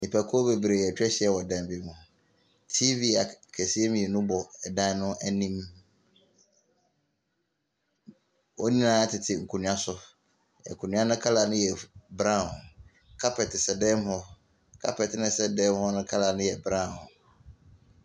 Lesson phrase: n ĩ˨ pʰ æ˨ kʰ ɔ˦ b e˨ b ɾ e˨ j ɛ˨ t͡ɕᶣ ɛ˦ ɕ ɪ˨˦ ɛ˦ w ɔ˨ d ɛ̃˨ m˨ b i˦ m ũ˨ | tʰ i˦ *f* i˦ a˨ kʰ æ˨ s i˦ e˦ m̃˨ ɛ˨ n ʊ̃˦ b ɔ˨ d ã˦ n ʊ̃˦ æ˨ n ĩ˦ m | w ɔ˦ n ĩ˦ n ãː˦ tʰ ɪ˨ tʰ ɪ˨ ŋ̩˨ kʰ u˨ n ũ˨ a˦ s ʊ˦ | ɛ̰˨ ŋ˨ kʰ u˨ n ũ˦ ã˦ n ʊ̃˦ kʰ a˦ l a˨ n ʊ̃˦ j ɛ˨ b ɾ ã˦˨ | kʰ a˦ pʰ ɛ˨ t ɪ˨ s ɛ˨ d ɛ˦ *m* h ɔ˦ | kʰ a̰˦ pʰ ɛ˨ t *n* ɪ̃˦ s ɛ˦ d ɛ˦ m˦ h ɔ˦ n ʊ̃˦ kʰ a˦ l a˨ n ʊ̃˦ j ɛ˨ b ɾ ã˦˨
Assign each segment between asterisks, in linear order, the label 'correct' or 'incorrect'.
incorrect: v, correct, correct

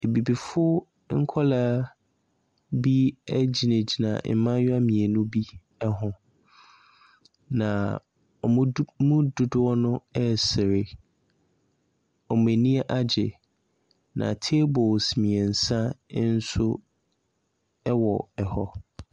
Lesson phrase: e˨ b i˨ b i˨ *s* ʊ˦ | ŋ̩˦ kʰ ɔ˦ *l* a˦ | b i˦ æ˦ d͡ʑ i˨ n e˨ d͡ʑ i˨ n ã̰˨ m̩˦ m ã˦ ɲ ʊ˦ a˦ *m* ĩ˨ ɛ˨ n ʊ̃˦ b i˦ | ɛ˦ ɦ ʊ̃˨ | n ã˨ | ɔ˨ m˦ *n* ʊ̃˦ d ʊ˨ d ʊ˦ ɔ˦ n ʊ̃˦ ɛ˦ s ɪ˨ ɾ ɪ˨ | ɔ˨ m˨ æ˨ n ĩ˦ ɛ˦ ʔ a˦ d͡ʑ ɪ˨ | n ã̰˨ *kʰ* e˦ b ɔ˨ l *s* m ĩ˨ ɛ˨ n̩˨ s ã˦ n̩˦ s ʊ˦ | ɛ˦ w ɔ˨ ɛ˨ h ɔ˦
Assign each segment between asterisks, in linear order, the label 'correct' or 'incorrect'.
incorrect: f, correct, correct, incorrect: m, incorrect: tʰ, correct

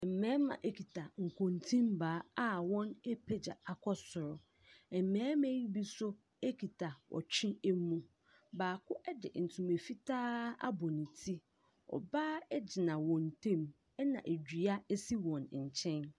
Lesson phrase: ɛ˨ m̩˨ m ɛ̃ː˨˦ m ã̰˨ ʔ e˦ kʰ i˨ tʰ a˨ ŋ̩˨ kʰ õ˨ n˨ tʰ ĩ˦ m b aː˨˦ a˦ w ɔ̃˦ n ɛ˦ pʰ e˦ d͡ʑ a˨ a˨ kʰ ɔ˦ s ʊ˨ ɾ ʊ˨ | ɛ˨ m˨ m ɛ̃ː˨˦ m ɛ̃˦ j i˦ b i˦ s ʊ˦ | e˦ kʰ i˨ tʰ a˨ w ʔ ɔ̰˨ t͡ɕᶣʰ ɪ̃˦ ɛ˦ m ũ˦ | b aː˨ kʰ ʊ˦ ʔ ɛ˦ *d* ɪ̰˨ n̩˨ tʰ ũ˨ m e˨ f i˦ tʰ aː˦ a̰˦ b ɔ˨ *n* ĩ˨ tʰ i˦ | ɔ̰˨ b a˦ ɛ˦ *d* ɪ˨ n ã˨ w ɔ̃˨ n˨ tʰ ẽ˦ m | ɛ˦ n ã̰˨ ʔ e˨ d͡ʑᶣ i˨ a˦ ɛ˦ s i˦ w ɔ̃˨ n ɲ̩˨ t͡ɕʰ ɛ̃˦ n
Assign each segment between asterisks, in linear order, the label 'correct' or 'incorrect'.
correct, correct, incorrect: d͡ʑ

